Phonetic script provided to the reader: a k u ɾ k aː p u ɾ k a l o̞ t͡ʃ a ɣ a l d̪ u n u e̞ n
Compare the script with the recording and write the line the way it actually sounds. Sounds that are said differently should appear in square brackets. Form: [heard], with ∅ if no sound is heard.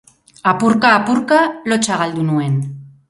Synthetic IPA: a [p] u ɾ k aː p u ɾ k a l o̞ t͡ʃ a ɣ a l d̪ u n u e̞ n